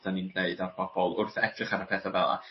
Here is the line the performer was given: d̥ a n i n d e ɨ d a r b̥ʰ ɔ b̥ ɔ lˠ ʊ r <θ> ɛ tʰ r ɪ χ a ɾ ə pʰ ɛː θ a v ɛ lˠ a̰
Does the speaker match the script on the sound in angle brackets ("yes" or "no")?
yes